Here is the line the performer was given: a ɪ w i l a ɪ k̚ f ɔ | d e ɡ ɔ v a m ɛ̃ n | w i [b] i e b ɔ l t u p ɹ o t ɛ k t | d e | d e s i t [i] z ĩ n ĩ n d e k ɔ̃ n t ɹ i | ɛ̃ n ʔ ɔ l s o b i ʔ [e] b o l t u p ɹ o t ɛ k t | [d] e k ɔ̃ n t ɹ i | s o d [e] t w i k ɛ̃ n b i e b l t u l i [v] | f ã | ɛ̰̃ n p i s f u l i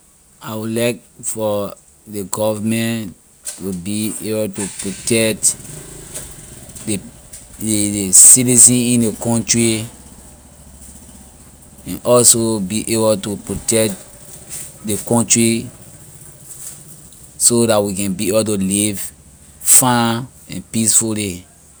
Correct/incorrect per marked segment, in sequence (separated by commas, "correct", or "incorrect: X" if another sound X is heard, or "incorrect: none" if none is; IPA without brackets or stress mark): correct, correct, correct, correct, incorrect: a, correct